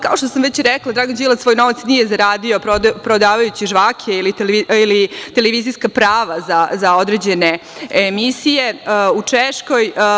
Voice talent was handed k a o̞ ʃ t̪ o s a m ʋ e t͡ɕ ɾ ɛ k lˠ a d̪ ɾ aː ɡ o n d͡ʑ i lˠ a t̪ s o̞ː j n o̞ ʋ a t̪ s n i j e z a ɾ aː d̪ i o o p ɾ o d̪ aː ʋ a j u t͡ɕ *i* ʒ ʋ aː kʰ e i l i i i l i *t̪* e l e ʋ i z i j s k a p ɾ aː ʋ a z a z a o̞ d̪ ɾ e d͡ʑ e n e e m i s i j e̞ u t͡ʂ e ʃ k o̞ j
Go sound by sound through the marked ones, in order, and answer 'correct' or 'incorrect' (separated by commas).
correct, correct